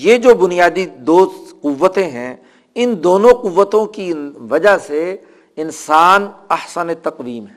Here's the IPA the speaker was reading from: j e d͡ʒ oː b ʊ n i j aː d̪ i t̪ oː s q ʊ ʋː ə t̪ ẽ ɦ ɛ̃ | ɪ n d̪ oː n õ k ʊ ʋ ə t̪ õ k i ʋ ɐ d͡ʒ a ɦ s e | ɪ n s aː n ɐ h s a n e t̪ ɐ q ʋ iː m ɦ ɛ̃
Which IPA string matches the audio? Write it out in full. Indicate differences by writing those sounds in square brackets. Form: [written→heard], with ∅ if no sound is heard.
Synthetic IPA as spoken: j e d͡ʒ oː b ʊ n i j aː d̪ i [t̪→d̪] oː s q ʊ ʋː ə t̪ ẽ ɦ ɛ̃ | ɪ n d̪ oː n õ [k→q] ʊ [ʋ→ʋː] ə t̪ õ k i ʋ ɐ d͡ʒ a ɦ s e | ɪ n s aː n ɐ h s [a→ə] n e t̪ ɐ q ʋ iː m ɦ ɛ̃